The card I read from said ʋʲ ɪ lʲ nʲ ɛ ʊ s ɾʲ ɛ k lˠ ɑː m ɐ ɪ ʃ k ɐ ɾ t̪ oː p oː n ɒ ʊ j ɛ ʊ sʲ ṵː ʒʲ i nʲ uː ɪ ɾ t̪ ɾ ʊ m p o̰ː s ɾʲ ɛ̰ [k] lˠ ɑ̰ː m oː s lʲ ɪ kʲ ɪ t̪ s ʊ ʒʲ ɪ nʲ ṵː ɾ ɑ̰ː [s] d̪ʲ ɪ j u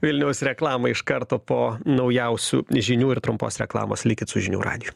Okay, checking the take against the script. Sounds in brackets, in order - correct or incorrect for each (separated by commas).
correct, incorrect